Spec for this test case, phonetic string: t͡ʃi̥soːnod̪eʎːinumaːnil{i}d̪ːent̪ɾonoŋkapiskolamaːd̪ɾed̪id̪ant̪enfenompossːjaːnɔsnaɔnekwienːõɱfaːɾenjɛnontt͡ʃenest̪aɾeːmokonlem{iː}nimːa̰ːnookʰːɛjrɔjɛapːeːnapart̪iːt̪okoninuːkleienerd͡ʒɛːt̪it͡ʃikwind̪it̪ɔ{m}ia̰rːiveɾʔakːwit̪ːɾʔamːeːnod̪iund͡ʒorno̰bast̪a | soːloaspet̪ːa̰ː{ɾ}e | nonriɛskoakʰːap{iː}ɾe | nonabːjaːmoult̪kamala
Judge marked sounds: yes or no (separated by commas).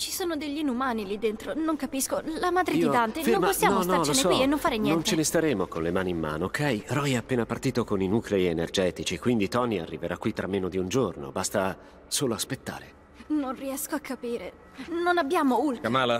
yes, no, no, yes, yes